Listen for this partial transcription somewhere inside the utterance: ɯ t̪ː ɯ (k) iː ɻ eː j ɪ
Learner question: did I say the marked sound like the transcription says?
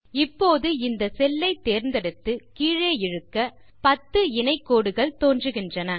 yes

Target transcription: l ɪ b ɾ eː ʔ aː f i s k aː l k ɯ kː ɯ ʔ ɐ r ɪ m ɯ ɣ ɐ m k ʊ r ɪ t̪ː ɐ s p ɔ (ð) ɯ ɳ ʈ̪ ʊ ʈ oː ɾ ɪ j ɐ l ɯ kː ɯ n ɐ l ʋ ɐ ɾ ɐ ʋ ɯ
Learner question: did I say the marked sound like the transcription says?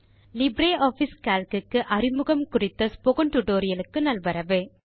no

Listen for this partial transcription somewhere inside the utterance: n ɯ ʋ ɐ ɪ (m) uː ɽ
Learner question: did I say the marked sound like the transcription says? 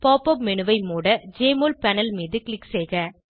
yes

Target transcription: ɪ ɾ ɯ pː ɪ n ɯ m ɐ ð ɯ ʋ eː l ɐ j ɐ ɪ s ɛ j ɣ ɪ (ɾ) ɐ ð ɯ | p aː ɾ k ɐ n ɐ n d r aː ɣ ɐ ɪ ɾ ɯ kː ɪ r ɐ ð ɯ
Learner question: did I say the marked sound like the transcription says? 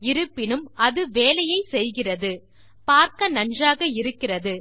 no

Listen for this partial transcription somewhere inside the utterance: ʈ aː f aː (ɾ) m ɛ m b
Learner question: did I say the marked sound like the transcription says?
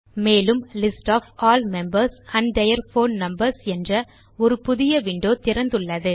no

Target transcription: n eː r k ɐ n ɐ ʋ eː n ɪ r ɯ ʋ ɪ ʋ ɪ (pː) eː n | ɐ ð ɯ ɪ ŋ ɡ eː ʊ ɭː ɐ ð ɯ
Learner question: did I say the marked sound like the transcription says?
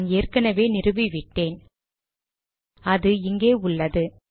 no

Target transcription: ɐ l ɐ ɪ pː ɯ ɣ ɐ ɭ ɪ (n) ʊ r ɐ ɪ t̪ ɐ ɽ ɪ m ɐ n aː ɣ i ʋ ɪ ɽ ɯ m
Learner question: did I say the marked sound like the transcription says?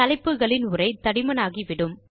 yes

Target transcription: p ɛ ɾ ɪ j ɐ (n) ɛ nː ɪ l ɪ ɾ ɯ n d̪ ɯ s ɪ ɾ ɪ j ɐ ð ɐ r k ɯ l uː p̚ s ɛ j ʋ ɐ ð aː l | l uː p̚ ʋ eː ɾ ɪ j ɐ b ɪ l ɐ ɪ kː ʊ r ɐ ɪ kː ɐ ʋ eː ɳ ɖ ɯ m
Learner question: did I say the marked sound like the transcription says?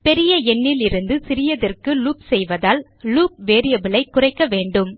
no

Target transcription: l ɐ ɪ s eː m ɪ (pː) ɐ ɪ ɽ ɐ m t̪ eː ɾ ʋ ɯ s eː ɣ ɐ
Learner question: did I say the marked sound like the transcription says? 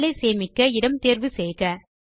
no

